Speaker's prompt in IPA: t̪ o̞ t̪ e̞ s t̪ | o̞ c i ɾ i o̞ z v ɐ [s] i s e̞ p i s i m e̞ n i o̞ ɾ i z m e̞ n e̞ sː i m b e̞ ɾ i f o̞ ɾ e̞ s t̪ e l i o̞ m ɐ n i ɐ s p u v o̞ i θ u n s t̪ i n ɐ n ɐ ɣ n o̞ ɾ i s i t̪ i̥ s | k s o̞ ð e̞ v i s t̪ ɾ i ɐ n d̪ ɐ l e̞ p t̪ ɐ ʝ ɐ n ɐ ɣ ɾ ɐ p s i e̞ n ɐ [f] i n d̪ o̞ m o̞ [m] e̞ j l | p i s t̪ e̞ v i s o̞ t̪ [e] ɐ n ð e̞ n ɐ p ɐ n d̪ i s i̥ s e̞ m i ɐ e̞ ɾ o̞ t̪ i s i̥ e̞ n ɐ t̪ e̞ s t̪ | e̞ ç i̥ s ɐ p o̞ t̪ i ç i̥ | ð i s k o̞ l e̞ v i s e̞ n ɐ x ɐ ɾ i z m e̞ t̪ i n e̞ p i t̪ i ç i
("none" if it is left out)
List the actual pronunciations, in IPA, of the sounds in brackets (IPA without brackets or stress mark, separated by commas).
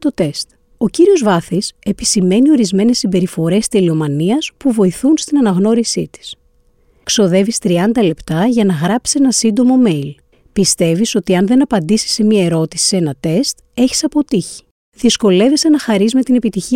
θ, s, m, i